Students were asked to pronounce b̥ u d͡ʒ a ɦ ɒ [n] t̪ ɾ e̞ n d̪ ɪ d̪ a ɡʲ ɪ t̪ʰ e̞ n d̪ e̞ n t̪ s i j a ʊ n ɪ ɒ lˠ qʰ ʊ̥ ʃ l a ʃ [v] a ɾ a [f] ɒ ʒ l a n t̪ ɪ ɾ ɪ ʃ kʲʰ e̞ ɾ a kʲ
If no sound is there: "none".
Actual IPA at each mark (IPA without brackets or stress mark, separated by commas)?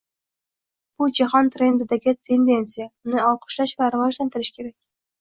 n, v, v